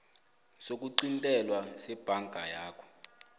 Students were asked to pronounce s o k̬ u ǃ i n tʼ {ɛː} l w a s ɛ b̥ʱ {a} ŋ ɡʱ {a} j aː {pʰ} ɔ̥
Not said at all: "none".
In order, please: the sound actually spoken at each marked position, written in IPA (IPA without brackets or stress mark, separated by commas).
ɛ, a, a, kʰ